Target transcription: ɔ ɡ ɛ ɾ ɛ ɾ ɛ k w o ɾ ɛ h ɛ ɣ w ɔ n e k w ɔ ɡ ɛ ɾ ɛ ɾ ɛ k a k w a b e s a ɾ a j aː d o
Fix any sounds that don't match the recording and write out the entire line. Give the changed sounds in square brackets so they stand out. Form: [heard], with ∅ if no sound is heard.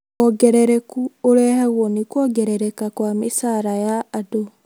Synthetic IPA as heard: ɔ ɡ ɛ ɾ ɛ ɾ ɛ k [u] o ɾ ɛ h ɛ ɣ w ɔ n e k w ɔ ɡ ɛ ɾ ɛ ɾ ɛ k a k w a [m] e s a ɾ a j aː d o